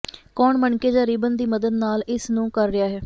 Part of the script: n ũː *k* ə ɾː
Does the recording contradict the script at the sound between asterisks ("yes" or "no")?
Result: no